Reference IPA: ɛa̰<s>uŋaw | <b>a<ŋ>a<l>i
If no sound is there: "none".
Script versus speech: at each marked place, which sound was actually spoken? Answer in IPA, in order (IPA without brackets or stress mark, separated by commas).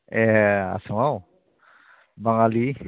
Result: s, b, ŋ, l